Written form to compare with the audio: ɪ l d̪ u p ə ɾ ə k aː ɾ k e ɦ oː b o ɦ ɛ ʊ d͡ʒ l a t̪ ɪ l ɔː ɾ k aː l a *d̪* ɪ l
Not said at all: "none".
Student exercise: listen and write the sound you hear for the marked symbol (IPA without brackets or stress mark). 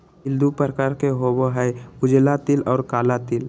t̪